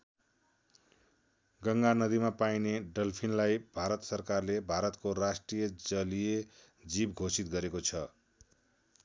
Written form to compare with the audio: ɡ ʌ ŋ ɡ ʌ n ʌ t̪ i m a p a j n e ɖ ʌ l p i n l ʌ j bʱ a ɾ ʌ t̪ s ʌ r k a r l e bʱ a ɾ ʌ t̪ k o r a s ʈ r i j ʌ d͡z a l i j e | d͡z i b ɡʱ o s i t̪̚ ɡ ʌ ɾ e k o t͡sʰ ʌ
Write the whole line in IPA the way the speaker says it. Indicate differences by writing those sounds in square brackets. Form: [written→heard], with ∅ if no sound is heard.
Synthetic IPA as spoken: ɡ ʌ ŋ ɡ [ʌ→a] n ʌ [t̪→d̪] i m a p a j n e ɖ ʌ l [p→pʰ] i n l [ʌ→a] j bʱ a ɾ ʌ t̪ s ʌ r k a r l e bʱ a ɾ ʌ t̪ k o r a s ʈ r i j ʌ d͡z [a→ʌ] l i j e | d͡z i b ɡʱ o s i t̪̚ ɡ ʌ ɾ e k o t͡sʰ ʌ